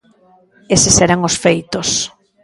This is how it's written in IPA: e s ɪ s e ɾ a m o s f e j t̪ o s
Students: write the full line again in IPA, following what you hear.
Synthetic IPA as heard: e s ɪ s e ɾ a ŋ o s f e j t̪ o s